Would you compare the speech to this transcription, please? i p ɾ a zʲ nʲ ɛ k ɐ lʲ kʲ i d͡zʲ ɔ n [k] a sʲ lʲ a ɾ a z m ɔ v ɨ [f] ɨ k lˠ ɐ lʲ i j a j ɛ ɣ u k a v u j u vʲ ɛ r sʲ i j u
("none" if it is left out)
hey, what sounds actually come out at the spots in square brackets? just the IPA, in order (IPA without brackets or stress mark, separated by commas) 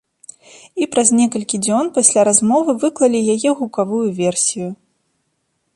p, v